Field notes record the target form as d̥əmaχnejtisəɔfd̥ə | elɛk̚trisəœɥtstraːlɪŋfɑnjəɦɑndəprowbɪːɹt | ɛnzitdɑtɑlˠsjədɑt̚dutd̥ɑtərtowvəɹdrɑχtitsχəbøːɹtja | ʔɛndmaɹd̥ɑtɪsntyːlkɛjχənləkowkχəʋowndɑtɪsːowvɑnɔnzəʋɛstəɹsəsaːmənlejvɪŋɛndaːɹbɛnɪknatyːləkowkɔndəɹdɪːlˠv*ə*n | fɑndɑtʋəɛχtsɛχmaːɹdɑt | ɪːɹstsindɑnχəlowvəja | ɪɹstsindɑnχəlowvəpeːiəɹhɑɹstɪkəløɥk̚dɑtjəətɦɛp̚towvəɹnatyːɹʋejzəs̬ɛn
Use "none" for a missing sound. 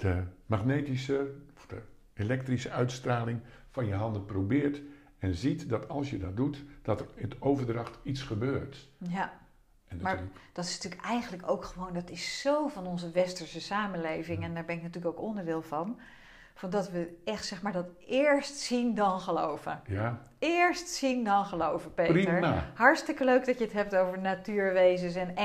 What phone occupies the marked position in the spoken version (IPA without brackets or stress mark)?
ɑ